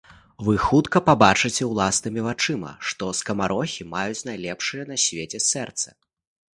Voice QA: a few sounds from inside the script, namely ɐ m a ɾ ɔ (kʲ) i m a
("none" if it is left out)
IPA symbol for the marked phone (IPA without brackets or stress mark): xʲ